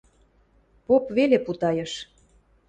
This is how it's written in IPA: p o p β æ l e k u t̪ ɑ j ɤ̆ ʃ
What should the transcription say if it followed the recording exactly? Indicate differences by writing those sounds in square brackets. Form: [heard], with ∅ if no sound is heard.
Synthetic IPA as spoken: p o p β [e] l e [p] u t̪ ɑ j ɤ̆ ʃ

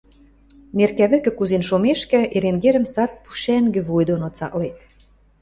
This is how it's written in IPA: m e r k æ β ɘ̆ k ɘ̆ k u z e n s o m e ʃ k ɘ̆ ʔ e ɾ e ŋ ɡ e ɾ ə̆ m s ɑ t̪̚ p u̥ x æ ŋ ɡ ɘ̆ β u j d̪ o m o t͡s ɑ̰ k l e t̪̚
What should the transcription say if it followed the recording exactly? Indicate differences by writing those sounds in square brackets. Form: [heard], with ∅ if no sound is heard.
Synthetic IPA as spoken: m e r k æ β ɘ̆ k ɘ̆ k u z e n [ʃ] o m e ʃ k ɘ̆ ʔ e ɾ e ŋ ɡ e ɾ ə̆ m s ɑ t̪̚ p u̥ [ʃ] æ ŋ ɡ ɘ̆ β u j d̪ o [n] o t͡s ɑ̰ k l e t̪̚

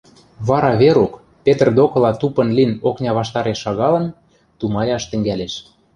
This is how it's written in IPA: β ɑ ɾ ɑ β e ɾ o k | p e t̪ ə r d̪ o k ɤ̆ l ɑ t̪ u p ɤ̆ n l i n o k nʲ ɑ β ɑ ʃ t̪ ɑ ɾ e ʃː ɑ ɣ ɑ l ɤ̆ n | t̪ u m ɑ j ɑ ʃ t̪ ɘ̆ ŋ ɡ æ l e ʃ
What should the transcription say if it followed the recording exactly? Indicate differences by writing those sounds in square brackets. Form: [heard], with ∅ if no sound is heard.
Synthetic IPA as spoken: β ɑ ɾ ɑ β e ɾ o k | p e t̪ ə r d̪ o k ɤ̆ l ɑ t̪ u p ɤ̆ n l i n o k nʲ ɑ β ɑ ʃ t̪ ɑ ɾ e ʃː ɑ ɣ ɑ l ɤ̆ n | t̪ u m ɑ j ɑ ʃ t̪ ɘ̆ ŋ ɡ æ l e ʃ

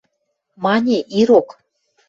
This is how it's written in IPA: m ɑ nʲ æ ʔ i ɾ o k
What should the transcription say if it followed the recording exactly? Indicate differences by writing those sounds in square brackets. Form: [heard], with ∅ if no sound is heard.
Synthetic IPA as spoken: m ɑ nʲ [e] ʔ i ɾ o k

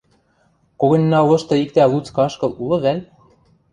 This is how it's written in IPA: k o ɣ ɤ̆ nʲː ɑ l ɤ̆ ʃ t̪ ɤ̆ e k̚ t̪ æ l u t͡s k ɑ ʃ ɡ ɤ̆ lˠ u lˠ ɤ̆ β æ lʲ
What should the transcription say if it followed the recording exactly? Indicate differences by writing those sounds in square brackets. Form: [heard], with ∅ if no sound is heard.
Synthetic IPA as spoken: k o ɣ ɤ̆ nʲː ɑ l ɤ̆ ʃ t̪ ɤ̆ [i] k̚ t̪ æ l u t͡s k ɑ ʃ [k] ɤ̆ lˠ u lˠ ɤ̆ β æ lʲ

